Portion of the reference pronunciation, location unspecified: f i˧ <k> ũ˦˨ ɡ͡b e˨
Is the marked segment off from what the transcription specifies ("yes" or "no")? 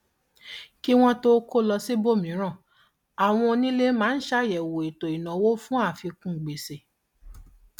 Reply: no